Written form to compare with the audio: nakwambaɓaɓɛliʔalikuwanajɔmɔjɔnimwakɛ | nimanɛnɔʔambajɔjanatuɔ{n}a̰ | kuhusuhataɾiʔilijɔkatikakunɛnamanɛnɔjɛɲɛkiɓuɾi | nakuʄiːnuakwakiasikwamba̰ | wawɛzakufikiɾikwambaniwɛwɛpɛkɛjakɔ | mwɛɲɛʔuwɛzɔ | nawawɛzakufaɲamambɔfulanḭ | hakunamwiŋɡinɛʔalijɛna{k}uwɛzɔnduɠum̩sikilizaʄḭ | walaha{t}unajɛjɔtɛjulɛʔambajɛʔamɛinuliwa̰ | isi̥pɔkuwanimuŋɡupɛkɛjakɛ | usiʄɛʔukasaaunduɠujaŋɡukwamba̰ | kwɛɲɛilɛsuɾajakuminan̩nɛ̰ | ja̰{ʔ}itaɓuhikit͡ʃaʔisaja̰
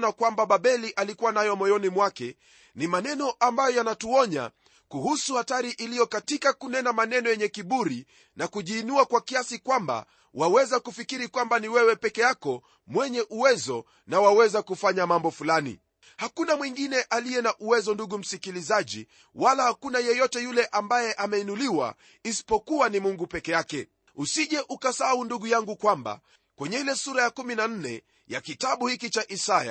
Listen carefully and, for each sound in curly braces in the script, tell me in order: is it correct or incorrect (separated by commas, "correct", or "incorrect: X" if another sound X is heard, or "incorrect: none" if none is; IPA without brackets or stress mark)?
incorrect: ɲ, incorrect: ʔ, incorrect: k, incorrect: k